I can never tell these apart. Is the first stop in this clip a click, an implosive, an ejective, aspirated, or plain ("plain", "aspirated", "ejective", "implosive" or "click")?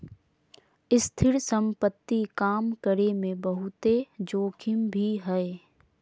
aspirated